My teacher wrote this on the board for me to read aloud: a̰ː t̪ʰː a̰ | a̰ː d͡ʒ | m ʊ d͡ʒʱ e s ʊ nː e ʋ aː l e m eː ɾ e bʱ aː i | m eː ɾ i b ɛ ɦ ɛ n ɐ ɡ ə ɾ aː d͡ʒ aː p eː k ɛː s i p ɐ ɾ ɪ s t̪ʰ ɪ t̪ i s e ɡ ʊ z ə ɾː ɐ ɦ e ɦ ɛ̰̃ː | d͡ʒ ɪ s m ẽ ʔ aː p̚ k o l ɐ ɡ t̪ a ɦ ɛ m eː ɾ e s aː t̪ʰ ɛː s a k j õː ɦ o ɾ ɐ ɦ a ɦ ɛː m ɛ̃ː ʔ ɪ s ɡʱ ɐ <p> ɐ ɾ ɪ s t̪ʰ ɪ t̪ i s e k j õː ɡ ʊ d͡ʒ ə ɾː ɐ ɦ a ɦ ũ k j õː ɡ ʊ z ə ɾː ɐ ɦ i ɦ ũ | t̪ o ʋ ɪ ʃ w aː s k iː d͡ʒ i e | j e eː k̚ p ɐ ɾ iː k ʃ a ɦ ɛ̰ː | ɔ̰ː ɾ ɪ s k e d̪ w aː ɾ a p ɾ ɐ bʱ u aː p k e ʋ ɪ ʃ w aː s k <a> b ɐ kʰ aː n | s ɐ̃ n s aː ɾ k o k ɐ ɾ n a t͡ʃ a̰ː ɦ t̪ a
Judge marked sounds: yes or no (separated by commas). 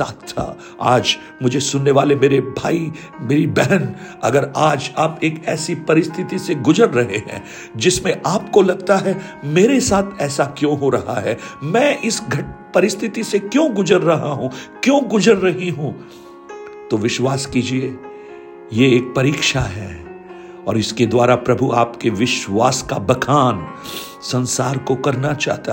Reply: yes, yes